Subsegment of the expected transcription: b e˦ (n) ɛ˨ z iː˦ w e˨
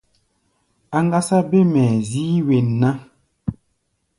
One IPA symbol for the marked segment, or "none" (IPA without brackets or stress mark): m